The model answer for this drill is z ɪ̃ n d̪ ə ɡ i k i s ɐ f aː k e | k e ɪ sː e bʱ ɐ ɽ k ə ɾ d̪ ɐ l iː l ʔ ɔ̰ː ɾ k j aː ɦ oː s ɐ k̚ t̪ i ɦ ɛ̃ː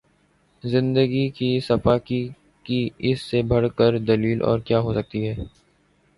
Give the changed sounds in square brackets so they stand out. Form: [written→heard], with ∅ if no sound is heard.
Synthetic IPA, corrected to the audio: z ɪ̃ n d̪ ə ɡ i k i s ɐ f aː k [e→i] | k [e→i] ɪ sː e bʱ ɐ ɽ k ə ɾ d̪ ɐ l iː l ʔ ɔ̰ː ɾ k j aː ɦ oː s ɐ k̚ t̪ i ɦ [ɛ̃ː→ɛː]